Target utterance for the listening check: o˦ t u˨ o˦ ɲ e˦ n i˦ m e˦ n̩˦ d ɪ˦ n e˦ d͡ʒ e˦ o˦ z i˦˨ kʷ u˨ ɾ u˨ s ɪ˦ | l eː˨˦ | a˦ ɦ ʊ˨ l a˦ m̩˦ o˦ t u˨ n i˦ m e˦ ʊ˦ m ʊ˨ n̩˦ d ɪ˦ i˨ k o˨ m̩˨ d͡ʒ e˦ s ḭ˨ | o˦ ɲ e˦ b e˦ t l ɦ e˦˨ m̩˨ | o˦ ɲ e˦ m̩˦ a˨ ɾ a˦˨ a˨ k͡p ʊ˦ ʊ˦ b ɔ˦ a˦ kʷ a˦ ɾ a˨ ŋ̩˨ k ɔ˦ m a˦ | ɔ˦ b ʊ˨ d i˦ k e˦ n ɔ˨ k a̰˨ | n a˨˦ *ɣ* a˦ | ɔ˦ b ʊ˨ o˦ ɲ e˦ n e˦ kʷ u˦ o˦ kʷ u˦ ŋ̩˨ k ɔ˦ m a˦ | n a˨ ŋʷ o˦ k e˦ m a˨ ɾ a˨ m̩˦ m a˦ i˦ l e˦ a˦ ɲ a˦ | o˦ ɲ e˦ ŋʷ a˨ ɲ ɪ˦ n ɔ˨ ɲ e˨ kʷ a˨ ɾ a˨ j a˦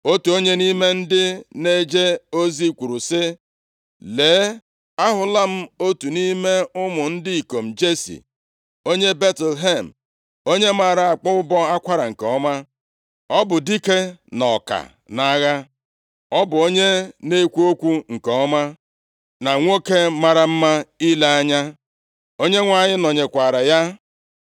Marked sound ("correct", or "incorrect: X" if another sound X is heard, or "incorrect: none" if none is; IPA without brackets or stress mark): correct